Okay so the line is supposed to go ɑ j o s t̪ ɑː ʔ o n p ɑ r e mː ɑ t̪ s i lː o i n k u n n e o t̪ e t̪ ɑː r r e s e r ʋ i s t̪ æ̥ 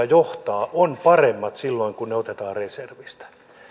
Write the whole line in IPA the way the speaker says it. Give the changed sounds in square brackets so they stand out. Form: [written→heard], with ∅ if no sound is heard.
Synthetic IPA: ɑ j o [s→h] t̪ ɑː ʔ o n p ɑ r e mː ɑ t̪ s i lː o i [n→ŋ] k u n n e o t̪ e t̪ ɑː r r e s e r ʋ i s t̪ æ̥